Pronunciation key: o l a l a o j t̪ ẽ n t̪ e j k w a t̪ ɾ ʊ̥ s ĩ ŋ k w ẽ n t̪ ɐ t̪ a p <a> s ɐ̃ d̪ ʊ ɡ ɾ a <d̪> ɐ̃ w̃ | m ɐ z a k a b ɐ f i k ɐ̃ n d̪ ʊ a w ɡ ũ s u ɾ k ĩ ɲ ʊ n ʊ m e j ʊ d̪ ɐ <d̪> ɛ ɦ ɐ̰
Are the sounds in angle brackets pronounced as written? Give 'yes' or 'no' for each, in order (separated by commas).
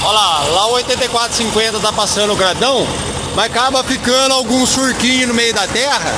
yes, yes, no